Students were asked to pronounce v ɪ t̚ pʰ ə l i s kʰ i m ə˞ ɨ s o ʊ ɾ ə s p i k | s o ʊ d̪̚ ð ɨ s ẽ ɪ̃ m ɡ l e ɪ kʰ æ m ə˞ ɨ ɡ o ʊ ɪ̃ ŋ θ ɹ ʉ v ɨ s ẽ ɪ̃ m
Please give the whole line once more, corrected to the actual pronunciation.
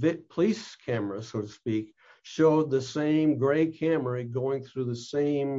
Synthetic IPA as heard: v ɪ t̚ pʰ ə l i s kʰ æ m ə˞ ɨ s o ʊ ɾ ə s p i k | ʃ o ʊ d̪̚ ð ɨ s ẽ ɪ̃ m ɡ ɹ e ɪ kʰ æ m ə˞ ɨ ɡ o ʊ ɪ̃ ŋ θ ɹ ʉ ð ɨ s ẽ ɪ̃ m